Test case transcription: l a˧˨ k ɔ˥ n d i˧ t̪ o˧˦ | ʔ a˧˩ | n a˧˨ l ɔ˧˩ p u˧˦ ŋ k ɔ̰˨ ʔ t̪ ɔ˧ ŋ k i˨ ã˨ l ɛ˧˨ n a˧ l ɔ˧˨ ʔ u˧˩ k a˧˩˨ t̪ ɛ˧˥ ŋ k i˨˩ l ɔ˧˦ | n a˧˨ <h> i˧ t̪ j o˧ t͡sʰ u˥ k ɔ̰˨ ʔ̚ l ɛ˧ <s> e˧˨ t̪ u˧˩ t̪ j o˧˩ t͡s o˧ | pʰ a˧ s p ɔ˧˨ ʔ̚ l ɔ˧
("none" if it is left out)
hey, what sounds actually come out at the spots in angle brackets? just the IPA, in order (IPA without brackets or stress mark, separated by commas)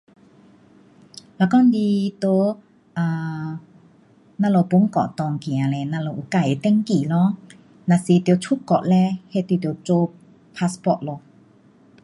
s, h